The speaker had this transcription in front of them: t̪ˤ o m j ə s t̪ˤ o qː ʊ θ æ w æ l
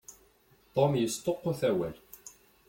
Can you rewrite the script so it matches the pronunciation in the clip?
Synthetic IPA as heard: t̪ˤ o m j ə s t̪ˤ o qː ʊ θ æ w æ l